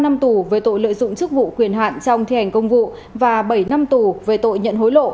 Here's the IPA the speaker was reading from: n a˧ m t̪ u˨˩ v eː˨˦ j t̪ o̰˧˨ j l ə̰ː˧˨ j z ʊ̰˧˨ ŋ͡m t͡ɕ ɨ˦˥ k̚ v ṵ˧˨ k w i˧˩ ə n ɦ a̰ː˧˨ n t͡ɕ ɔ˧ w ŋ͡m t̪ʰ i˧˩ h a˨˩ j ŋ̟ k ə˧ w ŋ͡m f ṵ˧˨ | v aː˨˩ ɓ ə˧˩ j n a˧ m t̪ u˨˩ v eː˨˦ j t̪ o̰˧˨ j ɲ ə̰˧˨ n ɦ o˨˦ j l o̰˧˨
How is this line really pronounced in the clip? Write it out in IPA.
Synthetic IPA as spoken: n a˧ m t̪ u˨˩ v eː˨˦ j t̪ o̰˧˨ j l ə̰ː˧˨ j z ʊ̰˧˨ ŋ͡m t͡ɕ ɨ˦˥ k̚ v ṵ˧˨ k w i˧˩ ə n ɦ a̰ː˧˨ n t͡ɕ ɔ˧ w ŋ͡m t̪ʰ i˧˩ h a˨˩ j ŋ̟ k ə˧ w ŋ͡m v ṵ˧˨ | v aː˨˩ ɓ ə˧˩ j n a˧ m t̪ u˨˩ v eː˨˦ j t̪ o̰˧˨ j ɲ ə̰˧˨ n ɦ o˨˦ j l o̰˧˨